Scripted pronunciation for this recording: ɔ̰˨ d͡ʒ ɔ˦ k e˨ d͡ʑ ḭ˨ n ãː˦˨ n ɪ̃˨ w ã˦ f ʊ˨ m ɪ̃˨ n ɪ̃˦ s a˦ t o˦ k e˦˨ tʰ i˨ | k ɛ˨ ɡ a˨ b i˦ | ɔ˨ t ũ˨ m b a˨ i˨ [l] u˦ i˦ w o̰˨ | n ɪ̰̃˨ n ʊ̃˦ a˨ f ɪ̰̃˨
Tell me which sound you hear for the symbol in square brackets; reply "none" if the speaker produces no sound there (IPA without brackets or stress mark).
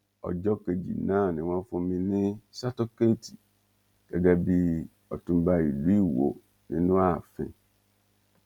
l